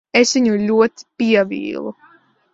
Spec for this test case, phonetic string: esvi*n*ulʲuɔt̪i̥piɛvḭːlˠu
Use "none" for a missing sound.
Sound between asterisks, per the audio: ɲ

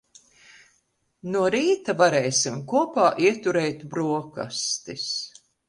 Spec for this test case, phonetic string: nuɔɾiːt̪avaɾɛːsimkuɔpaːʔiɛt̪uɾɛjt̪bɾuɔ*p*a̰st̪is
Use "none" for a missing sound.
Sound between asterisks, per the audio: k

